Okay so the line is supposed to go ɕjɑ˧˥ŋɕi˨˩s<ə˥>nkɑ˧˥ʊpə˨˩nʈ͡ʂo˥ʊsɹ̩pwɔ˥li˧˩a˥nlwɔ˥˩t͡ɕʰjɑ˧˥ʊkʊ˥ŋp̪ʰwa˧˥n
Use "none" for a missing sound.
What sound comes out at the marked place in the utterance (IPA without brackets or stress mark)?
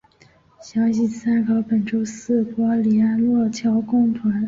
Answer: a˥